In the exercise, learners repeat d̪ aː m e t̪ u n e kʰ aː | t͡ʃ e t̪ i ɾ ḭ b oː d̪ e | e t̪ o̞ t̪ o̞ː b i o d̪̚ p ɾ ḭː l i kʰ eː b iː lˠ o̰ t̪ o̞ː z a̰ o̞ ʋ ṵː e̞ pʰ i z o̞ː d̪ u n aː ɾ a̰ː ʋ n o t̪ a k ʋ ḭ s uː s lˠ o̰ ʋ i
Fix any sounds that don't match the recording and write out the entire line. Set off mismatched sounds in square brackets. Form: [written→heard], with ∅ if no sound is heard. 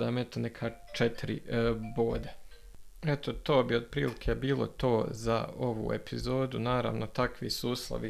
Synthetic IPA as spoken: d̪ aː m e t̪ [u→o] n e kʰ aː | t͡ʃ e t̪ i ɾ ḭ b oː d̪ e | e t̪ o̞ t̪ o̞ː b i o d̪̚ p ɾ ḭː l i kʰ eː b iː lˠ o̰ t̪ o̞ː z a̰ o̞ ʋ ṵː e̞ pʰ i z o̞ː d̪ u n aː ɾ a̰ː ʋ n o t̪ a k ʋ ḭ s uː s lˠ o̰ ʋ i